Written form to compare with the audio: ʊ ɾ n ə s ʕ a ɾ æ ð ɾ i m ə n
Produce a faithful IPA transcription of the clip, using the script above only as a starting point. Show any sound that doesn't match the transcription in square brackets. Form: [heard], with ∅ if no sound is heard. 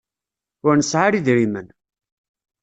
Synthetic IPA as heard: ʊ ɾ n ə s ʕ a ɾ [i] ð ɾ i m ə n